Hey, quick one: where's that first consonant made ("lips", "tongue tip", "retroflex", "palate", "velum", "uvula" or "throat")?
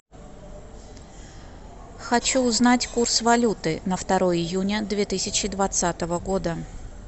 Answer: velum